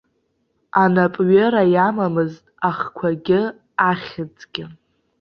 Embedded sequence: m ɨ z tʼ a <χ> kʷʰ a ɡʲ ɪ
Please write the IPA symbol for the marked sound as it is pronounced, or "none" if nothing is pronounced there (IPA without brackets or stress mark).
χ